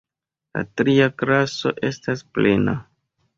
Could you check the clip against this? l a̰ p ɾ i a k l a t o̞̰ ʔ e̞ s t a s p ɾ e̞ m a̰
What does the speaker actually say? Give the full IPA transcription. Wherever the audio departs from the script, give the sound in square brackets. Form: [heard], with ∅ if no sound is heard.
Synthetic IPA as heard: l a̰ [t] ɾ i a k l a [s] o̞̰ ʔ e̞ s t a s p [l] e̞ [n] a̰